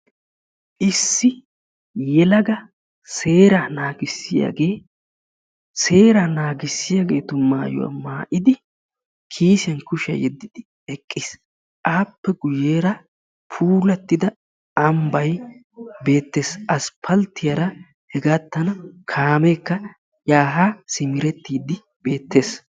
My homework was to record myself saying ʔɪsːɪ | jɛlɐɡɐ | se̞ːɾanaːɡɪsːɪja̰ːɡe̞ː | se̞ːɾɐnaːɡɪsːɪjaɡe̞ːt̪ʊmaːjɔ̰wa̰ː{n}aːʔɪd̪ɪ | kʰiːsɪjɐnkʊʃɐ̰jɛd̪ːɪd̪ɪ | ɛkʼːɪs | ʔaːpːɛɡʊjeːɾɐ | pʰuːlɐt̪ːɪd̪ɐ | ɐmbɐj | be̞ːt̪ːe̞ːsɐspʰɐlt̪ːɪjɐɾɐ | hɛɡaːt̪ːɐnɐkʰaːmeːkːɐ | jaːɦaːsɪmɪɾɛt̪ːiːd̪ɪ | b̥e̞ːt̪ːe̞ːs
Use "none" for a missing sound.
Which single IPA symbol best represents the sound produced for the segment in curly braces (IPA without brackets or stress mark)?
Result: m